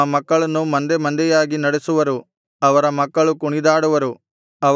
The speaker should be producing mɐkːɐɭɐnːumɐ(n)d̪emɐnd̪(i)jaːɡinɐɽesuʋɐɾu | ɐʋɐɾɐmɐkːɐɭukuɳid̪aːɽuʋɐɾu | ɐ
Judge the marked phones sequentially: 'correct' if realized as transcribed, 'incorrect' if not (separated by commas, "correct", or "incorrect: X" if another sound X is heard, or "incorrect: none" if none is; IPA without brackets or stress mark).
correct, incorrect: ɛ